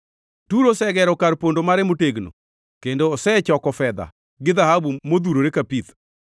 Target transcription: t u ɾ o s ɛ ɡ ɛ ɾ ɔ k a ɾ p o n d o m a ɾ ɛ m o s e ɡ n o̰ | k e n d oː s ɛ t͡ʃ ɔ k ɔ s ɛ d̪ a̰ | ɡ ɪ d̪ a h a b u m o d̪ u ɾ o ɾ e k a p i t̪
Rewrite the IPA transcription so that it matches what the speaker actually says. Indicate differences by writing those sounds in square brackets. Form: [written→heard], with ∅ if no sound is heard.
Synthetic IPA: t u ɾ o s ɛ ɡ ɛ ɾ ɔ k a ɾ p o n d o m a ɾ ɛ m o [s→t] e ɡ n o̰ | k e n d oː s ɛ t͡ʃ ɔ k ɔ [s→f] ɛ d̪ a̰ | ɡ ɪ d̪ a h a b u m o d̪ u ɾ o ɾ e k a p i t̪